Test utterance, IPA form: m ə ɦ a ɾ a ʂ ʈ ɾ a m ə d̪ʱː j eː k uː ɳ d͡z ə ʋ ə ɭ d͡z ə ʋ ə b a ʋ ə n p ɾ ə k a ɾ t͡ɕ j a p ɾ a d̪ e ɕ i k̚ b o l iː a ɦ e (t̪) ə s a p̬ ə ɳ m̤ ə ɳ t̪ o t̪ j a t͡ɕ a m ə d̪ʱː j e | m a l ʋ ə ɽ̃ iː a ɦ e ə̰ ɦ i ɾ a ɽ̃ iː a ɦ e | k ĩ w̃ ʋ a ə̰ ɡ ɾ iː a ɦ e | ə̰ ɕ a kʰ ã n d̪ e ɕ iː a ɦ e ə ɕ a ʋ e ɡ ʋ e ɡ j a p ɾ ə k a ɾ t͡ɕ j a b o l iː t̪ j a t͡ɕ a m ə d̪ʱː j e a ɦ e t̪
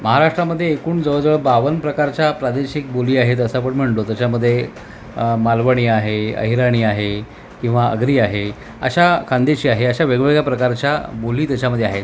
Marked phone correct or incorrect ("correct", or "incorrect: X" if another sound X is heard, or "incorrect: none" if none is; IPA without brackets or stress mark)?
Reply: correct